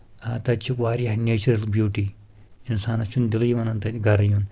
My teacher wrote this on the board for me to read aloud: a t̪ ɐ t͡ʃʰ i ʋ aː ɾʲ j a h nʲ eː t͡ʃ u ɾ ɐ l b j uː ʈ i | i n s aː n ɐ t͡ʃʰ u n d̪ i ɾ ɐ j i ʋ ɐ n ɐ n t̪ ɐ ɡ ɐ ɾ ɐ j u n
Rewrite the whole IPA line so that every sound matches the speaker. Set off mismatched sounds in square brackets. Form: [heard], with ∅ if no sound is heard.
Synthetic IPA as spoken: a t̪ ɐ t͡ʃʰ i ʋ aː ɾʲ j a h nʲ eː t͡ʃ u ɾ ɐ l b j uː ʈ i | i n s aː n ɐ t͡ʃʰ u n d̪ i [l] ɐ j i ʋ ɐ n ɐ n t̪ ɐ ɡ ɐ ɾ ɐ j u n